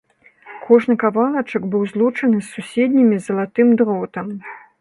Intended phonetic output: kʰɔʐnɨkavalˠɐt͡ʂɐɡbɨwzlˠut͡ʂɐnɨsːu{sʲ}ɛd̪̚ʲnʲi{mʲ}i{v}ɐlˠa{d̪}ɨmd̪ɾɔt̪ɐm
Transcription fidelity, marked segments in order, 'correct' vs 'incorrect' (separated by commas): correct, correct, incorrect, incorrect